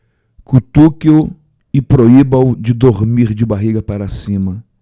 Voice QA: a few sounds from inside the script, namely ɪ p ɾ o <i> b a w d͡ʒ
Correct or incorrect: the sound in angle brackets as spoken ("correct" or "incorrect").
correct